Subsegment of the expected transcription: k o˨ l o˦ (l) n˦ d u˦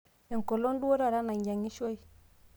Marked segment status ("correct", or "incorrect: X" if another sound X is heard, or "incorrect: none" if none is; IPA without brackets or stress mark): incorrect: none